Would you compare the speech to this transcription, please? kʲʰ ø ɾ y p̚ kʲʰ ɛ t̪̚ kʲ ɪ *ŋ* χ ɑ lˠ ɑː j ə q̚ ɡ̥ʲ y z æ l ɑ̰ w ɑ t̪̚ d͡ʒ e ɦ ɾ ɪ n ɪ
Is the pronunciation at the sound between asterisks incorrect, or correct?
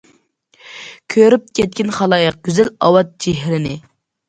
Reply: incorrect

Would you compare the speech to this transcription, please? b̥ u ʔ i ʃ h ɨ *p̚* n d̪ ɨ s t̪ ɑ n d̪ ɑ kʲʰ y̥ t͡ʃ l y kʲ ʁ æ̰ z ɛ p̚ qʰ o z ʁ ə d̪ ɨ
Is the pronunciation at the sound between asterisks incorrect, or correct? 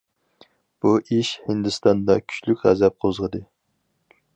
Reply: incorrect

